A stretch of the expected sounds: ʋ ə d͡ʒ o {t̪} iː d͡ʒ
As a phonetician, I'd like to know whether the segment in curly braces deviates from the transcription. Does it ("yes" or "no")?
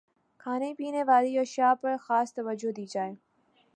yes